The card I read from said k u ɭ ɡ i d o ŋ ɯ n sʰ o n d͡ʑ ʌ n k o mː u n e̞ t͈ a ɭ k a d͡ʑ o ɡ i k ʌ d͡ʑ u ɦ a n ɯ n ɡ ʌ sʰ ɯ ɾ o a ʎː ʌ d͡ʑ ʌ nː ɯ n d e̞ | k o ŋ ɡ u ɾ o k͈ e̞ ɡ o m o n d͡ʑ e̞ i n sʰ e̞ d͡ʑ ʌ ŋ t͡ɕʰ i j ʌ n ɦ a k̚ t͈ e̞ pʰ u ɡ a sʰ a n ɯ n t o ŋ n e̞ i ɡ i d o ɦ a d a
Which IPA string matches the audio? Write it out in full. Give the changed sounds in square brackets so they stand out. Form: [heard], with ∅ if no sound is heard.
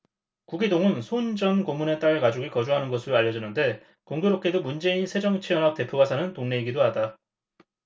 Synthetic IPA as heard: k u [∅] ɡ i d o ŋ ɯ n sʰ o n d͡ʑ ʌ n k o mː u n e̞ t͈ a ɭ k a d͡ʑ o ɡ i k ʌ d͡ʑ u ɦ a n ɯ n ɡ ʌ sʰ ɯ ɾ o a ʎː ʌ d͡ʑ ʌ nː ɯ n d e̞ | k o ŋ ɡ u ɾ o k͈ e̞ [d] o m [u] n d͡ʑ e̞ i n sʰ e̞ d͡ʑ ʌ ŋ t͡ɕʰ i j ʌ n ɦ a k̚ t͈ e̞ pʰ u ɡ a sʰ a n ɯ n t o ŋ n e̞ i ɡ i d o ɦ a d a